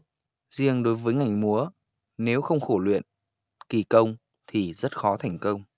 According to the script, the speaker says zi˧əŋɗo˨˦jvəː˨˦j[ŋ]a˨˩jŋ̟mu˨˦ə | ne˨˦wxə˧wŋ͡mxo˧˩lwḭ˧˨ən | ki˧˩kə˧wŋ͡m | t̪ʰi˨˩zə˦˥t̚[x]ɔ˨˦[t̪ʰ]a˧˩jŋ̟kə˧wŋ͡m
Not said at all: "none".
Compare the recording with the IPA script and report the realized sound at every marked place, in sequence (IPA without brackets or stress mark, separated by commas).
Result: ŋ, x, t̪ʰ